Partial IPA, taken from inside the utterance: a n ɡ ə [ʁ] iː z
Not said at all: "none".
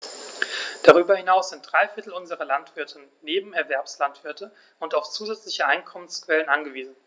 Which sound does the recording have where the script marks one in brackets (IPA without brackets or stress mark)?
v